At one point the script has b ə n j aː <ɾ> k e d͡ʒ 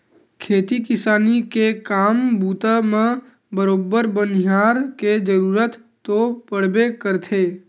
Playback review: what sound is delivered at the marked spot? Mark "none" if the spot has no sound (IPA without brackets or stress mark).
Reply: ɾ